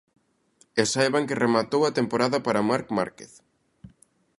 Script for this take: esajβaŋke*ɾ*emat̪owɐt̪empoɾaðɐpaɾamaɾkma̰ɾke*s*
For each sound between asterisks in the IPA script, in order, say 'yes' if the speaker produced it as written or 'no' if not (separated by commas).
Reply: no, no